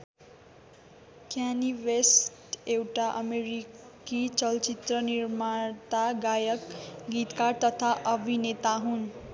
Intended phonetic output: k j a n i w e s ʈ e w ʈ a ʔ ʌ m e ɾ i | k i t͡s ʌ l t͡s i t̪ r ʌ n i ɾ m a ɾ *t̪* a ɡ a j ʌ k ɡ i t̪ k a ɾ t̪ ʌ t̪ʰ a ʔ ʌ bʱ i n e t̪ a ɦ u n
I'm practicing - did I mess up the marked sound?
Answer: no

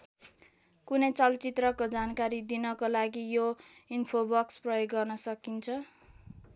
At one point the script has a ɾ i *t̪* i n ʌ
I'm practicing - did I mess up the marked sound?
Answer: yes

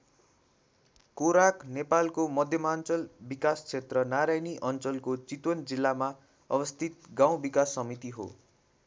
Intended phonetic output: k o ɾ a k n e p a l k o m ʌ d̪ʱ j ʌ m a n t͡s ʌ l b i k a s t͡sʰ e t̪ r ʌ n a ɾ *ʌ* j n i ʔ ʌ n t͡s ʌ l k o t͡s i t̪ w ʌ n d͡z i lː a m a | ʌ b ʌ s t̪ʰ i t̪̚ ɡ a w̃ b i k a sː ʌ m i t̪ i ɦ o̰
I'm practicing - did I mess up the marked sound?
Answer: yes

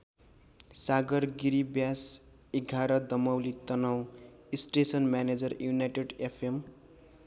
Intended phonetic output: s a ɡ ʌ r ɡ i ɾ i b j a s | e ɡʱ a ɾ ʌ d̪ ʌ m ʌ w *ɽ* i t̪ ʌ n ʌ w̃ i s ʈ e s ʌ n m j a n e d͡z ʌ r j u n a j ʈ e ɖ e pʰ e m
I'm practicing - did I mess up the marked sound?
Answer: yes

